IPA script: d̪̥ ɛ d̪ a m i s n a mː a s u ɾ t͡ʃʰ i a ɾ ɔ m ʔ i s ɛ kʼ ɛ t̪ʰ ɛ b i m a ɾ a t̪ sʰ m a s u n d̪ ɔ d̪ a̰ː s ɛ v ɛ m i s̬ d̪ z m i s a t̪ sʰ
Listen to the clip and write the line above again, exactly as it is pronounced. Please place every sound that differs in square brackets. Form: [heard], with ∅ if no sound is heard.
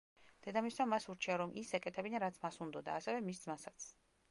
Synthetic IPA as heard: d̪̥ ɛ d̪ a m i s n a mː a s u ɾ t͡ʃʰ i a ɾ ɔ m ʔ i s ɛ kʼ ɛ t̪ʰ ɛ b i [n] a ɾ a t̪ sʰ m a s u n d̪ ɔ d̪ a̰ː s ɛ v ɛ m i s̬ d̪ z m [a] s a t̪ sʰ